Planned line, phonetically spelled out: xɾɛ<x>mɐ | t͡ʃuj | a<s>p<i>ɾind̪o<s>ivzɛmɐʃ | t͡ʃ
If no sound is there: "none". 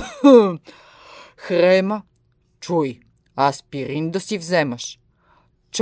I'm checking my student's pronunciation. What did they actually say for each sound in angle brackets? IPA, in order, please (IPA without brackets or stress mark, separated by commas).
none, s, i, s